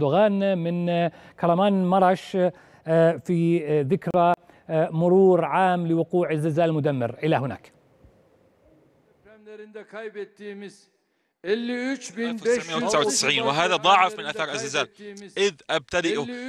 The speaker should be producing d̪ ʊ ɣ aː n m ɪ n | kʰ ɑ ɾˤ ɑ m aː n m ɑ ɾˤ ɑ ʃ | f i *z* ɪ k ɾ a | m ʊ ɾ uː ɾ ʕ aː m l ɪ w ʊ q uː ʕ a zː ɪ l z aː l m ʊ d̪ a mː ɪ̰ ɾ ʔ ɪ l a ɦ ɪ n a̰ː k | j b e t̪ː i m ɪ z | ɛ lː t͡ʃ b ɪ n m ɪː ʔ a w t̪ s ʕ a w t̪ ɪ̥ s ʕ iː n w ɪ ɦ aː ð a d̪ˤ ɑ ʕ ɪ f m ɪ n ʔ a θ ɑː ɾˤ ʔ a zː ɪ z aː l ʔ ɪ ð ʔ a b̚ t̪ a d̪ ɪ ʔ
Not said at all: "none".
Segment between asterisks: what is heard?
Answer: ð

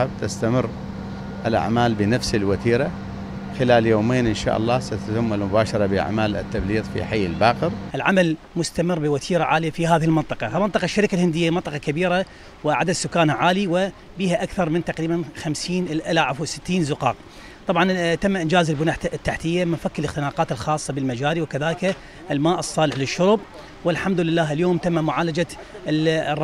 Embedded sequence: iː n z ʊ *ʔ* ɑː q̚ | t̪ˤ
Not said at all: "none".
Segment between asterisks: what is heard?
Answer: q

